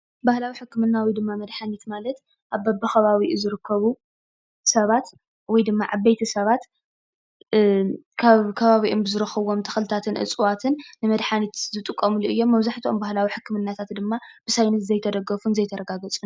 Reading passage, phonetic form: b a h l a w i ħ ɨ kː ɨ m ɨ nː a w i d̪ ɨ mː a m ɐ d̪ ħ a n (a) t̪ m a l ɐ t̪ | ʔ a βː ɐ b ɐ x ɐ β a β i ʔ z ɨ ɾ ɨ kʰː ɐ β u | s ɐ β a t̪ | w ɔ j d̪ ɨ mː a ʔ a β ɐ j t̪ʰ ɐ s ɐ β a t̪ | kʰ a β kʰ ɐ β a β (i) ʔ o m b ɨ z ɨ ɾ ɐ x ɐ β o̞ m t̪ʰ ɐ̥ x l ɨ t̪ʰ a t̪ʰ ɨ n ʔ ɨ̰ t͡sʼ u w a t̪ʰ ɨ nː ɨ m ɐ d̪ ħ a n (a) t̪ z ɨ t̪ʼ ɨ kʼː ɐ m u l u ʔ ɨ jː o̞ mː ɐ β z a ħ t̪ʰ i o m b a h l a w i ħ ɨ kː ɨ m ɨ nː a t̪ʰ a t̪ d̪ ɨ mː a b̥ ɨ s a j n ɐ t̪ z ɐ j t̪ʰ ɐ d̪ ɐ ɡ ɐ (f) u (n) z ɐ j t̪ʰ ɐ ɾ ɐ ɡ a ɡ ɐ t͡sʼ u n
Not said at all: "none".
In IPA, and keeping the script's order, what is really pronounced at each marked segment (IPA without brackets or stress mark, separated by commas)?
i, i, i, f, n